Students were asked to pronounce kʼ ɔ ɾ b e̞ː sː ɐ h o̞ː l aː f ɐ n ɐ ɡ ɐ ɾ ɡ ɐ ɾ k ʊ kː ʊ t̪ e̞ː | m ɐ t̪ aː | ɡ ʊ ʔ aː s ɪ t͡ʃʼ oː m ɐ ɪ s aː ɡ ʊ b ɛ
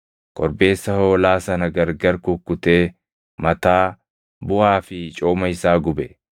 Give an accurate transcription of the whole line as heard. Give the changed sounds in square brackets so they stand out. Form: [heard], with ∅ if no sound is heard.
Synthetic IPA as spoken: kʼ ɔ ɾ b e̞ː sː ɐ h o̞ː l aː [s] ɐ n ɐ ɡ ɐ ɾ ɡ ɐ ɾ k ʊ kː ʊ t̪ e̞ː | m ɐ t̪ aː | [b] ʊ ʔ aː [f] ɪ t͡ʃʼ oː m ɐ ɪ s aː ɡ ʊ b ɛ